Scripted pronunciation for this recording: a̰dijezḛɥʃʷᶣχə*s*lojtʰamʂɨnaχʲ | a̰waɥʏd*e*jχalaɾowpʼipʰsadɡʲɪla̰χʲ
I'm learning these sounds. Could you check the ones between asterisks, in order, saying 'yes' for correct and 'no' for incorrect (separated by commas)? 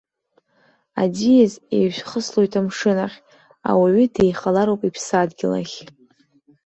yes, yes